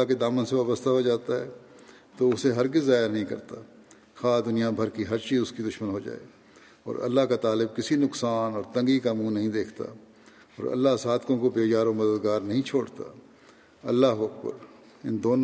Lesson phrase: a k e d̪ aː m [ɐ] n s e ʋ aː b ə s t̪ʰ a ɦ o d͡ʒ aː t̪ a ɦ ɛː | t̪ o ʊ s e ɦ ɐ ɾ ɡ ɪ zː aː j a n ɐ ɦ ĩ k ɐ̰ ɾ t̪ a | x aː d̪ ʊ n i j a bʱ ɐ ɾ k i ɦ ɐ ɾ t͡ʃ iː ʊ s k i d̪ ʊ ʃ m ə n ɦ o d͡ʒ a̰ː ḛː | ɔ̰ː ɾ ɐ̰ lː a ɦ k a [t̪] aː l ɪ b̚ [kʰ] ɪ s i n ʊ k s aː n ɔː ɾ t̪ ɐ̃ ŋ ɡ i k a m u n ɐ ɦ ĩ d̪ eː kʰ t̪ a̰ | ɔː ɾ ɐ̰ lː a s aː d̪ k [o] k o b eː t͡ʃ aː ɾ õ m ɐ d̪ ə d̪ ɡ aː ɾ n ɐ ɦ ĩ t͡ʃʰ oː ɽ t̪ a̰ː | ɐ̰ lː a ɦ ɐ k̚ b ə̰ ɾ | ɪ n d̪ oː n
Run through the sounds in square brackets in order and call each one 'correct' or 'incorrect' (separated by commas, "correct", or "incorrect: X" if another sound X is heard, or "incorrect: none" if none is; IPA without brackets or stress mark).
incorrect: ə, correct, incorrect: k, incorrect: õ